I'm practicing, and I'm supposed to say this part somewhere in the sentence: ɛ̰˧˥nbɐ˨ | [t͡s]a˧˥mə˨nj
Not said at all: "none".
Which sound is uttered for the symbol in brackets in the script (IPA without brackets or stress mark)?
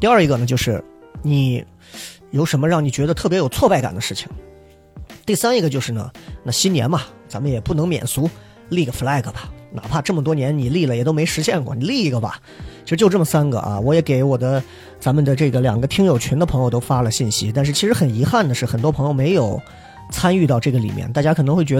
t͡s